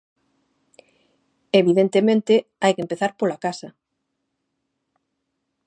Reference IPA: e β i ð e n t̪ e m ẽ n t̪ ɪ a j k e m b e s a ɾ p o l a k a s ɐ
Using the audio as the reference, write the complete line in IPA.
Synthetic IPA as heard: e β i ð e n t̪ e m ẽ n t̪ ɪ a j k e m p e θ a ɾ p o l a k a s ɐ